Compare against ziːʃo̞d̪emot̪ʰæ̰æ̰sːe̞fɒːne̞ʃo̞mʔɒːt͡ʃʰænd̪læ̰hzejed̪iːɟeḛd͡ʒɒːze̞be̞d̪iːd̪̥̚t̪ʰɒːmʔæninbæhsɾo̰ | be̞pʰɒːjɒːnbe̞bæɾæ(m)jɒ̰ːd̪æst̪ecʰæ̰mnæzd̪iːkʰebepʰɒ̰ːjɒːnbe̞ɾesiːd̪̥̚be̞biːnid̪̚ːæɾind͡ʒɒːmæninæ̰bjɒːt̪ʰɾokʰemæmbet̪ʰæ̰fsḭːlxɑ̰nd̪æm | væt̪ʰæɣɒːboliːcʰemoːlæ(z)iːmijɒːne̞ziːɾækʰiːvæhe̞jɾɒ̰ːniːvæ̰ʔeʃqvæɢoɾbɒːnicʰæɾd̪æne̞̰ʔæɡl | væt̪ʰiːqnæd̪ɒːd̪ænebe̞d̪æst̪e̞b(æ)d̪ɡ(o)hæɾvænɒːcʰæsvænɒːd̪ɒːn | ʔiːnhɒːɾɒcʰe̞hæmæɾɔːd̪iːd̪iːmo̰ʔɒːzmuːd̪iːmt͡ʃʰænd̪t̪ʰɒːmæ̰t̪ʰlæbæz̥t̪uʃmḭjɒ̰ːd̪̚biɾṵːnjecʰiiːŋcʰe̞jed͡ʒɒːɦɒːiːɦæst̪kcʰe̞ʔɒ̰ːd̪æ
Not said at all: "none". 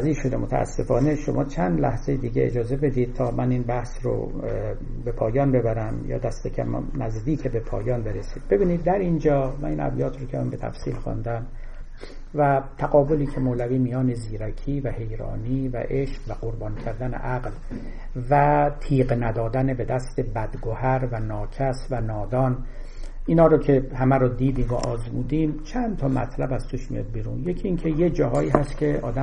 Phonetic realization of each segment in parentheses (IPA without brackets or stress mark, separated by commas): m, v, æ, o